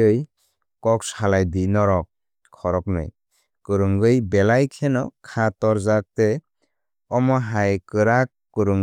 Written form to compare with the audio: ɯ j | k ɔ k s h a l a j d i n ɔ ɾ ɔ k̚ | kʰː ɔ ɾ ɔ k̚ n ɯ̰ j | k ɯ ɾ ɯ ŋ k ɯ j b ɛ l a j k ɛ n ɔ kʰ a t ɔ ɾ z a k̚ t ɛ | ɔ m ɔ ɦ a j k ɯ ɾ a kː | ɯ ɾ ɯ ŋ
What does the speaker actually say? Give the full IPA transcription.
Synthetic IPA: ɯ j | k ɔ k s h a l a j d i n ɔ ɾ ɔ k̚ | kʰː ɔ ɾ ɔ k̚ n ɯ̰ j | k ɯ ɾ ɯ ŋ ɡ ɯ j b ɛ l a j kʰ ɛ n ɔ kʰ a t ɔ ɾ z a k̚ t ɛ | ɔ m ɔ ɦ a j k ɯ ɾ a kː | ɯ ɾ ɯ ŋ